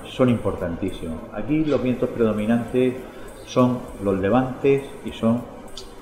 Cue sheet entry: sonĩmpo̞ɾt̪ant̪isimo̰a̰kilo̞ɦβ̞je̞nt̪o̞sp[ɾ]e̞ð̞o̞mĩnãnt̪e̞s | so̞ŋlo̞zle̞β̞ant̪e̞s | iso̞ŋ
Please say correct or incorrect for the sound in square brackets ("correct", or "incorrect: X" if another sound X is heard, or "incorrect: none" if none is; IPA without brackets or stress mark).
correct